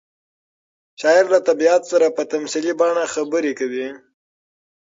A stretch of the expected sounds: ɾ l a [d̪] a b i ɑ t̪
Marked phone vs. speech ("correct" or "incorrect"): incorrect